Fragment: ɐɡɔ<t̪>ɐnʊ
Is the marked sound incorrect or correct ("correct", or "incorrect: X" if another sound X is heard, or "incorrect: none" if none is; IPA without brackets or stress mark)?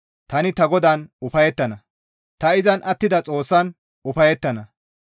incorrect: d̪